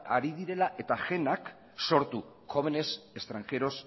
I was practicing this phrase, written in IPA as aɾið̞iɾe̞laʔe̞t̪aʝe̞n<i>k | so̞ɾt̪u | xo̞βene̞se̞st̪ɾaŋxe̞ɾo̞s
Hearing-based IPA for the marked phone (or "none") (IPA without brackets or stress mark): a